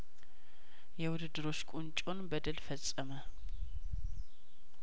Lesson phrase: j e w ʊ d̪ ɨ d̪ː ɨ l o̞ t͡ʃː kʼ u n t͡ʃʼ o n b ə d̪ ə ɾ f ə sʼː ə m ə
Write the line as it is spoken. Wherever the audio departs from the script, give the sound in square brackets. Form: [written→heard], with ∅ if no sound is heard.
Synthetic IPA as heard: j [e→ɛ] w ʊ d̪ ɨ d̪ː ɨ [l→ɾ] o̞ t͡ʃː kʼ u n t͡ʃʼ o n b ə d̪ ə [ɾ→l] f ə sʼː ə m ə